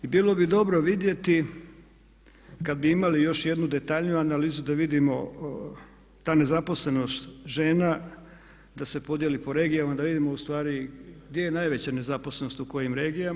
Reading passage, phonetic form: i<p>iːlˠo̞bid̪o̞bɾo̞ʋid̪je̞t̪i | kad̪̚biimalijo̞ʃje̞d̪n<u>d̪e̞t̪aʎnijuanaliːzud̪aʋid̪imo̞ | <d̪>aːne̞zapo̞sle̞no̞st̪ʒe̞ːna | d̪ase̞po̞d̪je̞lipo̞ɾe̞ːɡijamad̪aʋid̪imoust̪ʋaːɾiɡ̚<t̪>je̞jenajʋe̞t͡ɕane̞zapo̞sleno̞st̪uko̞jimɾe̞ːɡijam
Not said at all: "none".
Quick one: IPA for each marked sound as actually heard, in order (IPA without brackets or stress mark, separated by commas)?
b, u, t̪, d̪